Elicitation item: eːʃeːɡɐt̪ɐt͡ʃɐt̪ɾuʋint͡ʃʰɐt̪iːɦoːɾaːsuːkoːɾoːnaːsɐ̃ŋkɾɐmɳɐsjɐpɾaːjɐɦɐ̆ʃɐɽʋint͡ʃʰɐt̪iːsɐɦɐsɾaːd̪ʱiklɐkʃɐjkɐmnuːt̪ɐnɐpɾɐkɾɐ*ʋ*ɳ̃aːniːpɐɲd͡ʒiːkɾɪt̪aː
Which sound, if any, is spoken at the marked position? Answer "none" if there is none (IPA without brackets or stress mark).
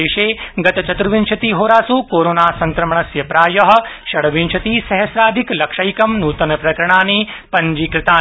none